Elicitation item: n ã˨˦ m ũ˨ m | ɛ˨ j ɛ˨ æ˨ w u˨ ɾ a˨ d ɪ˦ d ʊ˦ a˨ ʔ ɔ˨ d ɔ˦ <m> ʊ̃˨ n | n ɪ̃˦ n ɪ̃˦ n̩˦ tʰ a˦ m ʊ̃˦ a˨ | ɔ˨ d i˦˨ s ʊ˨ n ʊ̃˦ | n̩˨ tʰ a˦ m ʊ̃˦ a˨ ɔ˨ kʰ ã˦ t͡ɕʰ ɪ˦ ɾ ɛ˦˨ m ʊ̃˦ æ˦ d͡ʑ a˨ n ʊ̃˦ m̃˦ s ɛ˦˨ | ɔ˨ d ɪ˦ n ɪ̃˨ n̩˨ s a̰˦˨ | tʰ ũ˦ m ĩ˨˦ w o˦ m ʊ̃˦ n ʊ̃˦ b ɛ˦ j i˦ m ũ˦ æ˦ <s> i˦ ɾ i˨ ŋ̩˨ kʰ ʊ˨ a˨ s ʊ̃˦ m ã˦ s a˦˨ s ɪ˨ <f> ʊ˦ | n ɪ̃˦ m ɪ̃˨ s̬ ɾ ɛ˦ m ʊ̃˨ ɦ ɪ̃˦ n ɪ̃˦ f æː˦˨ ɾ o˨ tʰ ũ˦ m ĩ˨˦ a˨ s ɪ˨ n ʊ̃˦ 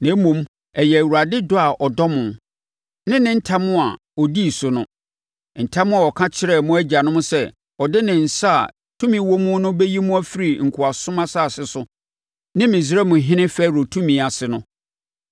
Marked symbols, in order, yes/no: yes, no, no

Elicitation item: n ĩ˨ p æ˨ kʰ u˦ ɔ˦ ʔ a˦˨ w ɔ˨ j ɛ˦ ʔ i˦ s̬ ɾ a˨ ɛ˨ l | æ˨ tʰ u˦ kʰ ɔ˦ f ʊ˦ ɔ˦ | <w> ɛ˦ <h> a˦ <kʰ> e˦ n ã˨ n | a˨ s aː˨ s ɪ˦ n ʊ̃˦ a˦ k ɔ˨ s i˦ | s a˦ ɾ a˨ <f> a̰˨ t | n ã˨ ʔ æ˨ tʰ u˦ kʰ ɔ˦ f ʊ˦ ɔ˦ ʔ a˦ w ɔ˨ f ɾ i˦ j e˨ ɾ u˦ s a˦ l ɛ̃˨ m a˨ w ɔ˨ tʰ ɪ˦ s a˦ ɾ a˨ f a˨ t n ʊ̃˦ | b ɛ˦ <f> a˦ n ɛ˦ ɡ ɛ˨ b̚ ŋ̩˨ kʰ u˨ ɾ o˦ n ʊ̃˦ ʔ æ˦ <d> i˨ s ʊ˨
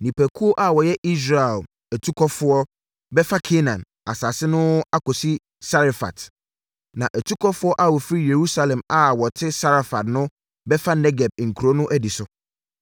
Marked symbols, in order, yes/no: no, no, yes, yes, yes, yes

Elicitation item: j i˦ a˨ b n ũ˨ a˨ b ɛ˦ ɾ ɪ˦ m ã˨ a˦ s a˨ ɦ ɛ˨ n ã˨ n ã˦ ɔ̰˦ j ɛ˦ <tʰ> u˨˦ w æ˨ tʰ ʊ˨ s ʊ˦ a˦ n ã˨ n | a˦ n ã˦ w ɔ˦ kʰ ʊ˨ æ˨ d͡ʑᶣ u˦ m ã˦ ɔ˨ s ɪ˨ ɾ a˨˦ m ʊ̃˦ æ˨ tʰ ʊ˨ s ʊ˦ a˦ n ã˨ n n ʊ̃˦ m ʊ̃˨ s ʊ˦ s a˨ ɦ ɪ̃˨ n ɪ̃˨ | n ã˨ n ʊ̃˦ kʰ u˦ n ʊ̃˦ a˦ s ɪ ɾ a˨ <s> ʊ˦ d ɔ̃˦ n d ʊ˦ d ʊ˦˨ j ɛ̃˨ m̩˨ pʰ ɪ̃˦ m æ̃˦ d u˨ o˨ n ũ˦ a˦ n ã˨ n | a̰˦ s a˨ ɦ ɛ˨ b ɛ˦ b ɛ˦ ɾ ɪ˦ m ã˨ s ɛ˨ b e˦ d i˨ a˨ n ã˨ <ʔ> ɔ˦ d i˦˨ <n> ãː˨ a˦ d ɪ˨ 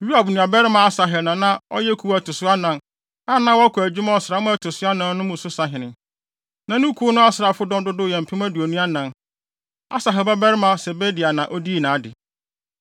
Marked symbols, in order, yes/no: no, no, yes, yes

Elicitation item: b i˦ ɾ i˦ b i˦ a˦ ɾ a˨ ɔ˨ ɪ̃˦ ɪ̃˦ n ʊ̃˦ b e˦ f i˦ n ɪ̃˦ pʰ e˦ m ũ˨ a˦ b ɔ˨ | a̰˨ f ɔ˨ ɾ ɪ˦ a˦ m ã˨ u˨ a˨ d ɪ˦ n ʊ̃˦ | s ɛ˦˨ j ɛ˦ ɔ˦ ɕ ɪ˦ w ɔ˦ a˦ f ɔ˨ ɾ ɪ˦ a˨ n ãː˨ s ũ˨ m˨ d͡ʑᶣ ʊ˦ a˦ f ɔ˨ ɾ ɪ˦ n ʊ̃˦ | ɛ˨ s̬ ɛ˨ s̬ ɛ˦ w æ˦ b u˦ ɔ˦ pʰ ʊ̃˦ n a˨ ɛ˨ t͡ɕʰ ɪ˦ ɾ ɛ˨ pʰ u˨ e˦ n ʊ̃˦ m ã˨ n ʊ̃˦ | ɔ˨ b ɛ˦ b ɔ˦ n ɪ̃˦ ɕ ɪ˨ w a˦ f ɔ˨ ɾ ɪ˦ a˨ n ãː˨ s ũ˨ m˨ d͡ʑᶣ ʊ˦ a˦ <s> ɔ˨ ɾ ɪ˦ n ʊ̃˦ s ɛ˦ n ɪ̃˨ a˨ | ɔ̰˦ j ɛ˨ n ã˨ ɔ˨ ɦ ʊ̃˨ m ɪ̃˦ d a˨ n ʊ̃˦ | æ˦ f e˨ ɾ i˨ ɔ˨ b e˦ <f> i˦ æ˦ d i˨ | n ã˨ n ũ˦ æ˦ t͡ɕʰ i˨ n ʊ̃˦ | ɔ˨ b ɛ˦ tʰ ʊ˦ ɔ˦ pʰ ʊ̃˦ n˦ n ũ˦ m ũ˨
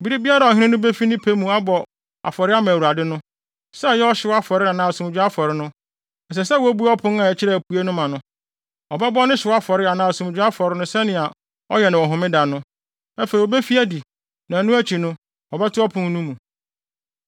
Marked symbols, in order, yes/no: no, yes

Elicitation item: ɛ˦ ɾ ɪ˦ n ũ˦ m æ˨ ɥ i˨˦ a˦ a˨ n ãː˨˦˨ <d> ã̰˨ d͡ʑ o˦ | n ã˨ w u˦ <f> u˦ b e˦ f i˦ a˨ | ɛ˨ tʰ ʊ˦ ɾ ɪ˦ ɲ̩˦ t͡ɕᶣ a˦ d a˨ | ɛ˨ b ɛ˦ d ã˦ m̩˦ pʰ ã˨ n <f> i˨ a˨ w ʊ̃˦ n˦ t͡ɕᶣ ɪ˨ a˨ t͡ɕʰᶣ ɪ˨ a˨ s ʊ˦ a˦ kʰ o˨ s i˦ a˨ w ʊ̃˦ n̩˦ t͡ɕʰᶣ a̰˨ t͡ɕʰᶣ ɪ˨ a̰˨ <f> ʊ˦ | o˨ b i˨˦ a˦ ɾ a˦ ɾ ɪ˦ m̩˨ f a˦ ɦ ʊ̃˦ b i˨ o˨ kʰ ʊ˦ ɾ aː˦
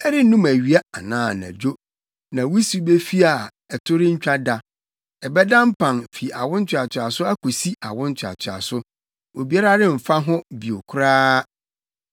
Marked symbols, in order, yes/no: no, no, yes, no

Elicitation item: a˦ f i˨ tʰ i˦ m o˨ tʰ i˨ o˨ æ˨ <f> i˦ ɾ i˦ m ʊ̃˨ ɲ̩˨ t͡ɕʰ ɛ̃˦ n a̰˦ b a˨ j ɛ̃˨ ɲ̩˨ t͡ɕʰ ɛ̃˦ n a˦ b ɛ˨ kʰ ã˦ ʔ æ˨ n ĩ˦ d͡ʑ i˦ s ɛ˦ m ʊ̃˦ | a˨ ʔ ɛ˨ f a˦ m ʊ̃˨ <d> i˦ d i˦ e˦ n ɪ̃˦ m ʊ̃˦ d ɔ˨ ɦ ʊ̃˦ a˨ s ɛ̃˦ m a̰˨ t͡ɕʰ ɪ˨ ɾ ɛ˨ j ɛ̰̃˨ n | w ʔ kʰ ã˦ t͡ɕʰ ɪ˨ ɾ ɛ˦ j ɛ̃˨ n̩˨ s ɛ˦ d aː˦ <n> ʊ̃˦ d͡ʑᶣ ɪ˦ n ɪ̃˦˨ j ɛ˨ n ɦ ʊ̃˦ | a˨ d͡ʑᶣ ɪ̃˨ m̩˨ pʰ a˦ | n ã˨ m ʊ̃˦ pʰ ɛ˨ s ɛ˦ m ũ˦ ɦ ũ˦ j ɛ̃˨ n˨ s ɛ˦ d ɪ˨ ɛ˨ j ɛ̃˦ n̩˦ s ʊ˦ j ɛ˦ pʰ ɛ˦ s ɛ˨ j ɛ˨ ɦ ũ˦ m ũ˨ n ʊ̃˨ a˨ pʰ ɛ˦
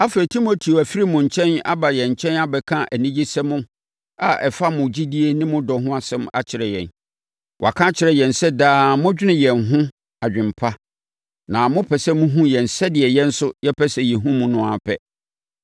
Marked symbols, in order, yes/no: yes, no, no

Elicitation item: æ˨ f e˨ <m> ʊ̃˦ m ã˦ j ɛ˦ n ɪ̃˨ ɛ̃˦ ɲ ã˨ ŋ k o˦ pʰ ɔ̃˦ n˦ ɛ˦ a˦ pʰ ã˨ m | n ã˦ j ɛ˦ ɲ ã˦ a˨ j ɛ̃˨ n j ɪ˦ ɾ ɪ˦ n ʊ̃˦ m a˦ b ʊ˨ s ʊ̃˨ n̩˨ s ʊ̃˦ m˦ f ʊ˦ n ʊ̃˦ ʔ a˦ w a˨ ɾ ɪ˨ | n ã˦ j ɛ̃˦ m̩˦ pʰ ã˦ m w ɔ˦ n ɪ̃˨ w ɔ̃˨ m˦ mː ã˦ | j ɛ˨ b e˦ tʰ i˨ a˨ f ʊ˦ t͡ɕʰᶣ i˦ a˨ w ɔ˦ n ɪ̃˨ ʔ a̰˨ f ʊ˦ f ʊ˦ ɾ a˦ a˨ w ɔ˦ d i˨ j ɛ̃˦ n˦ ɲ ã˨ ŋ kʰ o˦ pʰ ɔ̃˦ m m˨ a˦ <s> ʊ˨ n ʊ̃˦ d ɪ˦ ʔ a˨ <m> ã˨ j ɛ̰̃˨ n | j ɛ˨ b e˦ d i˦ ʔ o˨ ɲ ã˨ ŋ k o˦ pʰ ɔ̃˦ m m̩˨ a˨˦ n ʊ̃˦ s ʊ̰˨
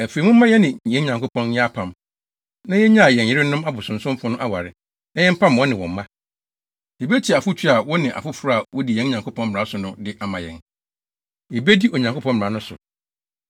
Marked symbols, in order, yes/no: yes, yes, yes

